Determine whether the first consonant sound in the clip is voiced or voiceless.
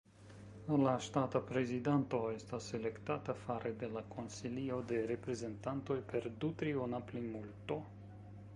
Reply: voiced